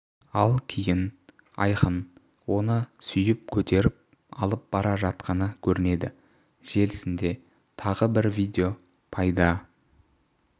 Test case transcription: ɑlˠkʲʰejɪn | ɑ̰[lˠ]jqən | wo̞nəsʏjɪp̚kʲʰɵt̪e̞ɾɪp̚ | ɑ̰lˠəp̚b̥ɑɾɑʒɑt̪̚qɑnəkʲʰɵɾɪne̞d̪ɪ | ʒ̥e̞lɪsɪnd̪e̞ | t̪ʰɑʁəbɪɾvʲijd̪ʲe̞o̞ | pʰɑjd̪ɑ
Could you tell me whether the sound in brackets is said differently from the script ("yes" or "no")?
yes